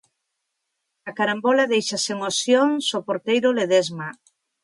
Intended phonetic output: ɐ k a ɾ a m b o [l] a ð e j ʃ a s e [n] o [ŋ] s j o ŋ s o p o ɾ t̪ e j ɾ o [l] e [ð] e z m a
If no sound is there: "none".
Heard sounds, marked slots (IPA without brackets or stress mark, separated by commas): l, ŋ, none, l, ð